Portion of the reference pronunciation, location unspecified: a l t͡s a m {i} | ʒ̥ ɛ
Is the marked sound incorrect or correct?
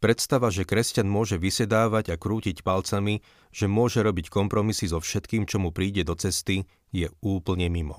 correct